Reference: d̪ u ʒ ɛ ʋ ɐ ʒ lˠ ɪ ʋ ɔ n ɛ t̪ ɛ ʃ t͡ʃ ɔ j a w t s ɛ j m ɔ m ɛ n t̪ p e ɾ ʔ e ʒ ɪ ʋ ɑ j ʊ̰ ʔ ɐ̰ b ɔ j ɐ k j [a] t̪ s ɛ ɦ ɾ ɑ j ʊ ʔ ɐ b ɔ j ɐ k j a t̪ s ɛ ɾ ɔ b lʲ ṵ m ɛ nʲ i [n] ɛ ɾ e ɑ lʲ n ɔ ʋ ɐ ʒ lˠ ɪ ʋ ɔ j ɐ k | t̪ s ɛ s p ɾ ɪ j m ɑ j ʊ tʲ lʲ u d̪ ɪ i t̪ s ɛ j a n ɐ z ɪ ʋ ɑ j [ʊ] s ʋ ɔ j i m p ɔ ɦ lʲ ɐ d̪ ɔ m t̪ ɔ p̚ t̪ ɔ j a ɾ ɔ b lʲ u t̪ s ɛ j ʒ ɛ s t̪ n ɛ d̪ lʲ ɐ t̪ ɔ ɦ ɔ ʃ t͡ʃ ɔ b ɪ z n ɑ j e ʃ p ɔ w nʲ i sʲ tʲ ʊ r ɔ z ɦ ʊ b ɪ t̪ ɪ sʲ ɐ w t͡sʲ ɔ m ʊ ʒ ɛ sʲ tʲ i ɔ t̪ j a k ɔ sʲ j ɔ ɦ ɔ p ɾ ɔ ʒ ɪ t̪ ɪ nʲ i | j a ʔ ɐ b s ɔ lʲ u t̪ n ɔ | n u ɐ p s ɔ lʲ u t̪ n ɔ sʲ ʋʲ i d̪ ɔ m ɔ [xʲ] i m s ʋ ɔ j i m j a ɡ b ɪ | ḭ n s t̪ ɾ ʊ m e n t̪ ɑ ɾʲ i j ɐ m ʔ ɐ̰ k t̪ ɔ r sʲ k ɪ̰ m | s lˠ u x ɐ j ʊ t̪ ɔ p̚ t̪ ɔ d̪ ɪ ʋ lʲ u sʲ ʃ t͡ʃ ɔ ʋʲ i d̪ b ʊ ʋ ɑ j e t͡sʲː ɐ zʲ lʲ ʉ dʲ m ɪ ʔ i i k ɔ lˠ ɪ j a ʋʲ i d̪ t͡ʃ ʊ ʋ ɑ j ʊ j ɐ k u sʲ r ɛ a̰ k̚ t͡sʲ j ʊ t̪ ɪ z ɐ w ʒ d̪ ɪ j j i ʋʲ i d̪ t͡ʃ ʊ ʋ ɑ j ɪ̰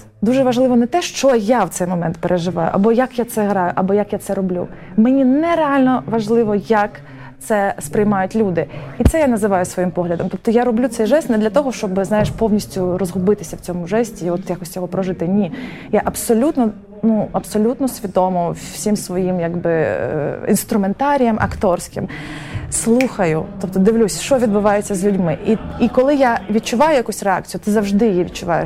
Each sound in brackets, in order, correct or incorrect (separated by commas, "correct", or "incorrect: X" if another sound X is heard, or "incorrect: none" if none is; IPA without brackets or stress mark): correct, correct, correct, incorrect: sʲ